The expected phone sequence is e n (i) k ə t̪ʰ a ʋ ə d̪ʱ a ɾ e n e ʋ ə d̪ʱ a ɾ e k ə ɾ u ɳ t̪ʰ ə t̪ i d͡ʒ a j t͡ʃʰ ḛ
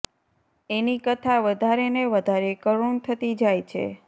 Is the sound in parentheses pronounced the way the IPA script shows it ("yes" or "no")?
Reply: yes